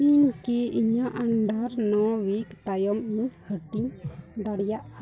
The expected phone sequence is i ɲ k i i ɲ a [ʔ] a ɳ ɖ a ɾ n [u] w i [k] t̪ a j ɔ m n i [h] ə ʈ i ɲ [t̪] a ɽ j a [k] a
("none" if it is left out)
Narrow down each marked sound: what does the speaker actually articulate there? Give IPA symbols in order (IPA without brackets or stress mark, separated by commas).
ʔ, ɔ, k, h, d̪, ʔ